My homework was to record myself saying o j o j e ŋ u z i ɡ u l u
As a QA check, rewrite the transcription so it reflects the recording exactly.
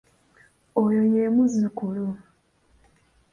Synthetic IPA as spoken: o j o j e m u z i k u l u